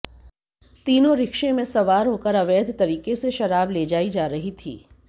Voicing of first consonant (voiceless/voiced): voiceless